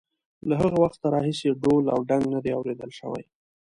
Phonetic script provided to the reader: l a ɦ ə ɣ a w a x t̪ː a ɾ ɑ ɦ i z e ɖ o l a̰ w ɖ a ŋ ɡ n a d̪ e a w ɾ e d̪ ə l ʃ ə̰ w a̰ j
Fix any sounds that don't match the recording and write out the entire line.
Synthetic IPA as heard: l a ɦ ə ɣ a w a x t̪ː a ɾ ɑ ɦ i s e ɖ o l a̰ w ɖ a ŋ ɡ n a d̪ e a w ɾ e d̪ ə l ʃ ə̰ w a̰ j